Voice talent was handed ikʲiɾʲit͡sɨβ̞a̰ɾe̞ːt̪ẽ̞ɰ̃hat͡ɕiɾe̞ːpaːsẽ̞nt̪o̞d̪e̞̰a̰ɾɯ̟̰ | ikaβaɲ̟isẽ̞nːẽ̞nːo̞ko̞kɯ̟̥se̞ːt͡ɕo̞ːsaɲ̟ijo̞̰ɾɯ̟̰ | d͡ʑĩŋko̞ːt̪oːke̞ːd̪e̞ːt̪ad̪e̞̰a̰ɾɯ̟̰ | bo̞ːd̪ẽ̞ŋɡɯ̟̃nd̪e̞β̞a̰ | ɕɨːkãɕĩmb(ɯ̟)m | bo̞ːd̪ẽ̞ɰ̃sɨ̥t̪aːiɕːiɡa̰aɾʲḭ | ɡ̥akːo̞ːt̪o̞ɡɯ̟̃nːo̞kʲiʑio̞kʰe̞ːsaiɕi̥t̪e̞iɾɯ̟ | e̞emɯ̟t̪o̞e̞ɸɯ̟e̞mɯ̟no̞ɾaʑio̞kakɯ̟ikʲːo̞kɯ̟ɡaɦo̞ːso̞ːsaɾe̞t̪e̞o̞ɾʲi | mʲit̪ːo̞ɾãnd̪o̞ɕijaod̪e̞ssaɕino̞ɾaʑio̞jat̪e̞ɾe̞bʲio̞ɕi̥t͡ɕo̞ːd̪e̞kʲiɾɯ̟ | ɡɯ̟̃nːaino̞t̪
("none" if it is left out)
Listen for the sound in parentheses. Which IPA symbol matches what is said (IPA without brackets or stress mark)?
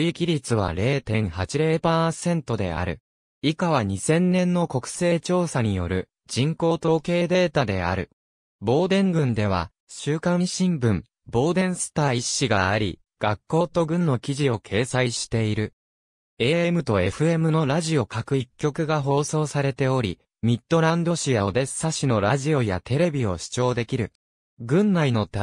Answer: ɯ̟̃